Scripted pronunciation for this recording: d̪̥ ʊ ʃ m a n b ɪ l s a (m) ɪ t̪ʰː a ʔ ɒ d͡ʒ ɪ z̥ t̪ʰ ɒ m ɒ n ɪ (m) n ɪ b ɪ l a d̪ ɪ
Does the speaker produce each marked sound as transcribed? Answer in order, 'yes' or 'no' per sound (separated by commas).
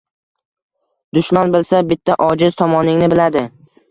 no, no